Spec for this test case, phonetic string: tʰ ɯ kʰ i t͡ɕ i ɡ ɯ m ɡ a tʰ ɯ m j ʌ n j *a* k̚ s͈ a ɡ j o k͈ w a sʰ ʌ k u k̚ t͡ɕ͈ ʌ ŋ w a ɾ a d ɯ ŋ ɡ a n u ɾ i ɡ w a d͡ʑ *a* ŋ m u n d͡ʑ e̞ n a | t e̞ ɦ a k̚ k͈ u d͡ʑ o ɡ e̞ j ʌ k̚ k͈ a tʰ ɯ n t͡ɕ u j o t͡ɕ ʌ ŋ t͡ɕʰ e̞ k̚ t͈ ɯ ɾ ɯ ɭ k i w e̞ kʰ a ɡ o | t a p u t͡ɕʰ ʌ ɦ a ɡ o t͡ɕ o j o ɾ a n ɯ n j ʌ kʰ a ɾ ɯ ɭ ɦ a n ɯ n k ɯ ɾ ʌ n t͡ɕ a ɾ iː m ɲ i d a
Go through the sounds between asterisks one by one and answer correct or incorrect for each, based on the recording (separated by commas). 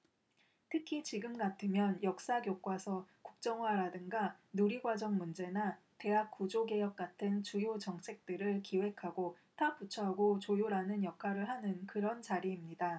incorrect, incorrect